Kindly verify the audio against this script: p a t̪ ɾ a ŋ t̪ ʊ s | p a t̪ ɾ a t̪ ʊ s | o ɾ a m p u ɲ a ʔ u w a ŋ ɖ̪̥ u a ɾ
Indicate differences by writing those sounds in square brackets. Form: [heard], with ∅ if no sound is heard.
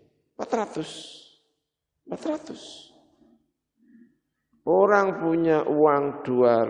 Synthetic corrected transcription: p a t̪ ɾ a [∅] t̪ ʊ s | p a t̪ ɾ a t̪ ʊ s | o ɾ a [ŋ] p u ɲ a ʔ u w a ŋ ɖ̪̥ u a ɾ